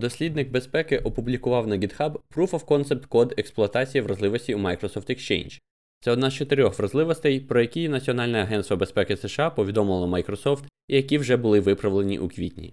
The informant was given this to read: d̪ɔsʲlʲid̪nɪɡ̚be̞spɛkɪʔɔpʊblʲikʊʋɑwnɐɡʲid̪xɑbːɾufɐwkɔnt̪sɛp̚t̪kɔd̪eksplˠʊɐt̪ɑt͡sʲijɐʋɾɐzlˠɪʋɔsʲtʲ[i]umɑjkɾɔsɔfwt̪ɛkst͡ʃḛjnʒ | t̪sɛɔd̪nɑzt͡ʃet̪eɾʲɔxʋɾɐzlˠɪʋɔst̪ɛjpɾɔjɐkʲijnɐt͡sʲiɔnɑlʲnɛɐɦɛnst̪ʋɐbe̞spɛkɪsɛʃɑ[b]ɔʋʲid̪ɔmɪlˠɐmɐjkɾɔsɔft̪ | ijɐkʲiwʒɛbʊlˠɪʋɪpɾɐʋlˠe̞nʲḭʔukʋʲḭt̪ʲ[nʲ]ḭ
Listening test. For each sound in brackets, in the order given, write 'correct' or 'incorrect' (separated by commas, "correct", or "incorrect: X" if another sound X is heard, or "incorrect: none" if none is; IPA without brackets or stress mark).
correct, incorrect: p, correct